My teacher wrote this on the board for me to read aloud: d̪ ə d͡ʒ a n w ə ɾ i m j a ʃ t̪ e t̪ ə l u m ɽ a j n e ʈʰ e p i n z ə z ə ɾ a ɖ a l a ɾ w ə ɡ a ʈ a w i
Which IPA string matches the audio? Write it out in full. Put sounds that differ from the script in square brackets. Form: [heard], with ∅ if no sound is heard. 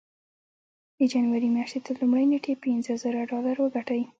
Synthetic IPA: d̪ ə d͡ʒ a n w [a] ɾ i m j a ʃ t̪ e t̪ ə l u m ɽ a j n e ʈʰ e p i n z ə z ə ɾ a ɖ [ɑ] l a ɾ w ə ɡ a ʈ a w i

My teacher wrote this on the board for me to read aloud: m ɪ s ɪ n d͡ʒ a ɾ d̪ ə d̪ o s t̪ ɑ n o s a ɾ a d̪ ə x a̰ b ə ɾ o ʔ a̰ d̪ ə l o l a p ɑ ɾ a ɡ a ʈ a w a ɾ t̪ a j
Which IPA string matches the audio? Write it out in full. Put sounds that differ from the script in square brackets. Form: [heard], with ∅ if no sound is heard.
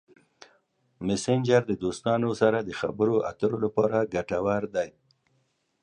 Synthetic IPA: m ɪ s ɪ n d͡ʒ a ɾ d̪ ə d̪ o s t̪ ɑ n o s a ɾ a d̪ ə x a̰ b ə ɾ o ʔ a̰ [t̪] ə [ɾ] o l a p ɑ ɾ a ɡ a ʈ a w a ɾ [d̪] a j

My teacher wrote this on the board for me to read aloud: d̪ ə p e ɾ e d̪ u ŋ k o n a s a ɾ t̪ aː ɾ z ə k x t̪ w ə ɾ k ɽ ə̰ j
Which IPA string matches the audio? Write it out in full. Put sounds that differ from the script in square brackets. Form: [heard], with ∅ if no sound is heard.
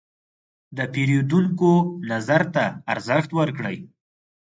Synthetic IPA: d̪ ə p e ɾ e d̪ u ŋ k o n a [z] a ɾ t̪ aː ɾ z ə [∅] x t̪ w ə ɾ k ɽ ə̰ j

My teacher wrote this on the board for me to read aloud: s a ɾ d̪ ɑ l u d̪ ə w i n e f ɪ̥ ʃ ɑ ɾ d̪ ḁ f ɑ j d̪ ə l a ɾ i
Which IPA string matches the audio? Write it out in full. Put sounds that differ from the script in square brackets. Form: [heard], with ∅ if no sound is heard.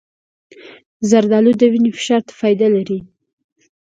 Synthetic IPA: [z] a ɾ d̪ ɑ l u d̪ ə w i n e f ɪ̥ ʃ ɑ ɾ [t̪] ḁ f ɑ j d̪ [a] l a ɾ i

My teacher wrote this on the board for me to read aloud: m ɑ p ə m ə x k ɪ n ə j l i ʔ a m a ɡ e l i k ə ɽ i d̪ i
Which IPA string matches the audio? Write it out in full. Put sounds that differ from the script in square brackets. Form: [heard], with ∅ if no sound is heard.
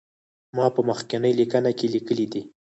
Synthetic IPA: m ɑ p ə m ə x k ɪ n ə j l i [k] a [n] a [k] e l i k ə [l] i d̪ i

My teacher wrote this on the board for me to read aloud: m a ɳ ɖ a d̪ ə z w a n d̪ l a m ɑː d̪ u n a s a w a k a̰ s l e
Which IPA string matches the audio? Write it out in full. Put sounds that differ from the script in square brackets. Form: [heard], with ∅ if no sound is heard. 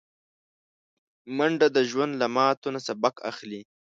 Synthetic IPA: m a ɳ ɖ a d̪ ə [ʒ] w a n d̪ l a m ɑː [t̪] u n a s a [b] a k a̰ [x] l [i]

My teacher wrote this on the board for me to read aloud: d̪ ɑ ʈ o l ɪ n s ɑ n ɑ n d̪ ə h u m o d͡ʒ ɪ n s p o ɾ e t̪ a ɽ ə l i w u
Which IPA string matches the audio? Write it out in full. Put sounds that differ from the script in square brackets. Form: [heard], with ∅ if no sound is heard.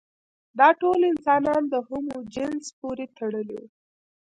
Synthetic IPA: d̪ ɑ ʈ o l ɪ n s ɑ n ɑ n d̪ ə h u m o d͡ʒ ɪ n s p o ɾ e t̪ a ɽ ə l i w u

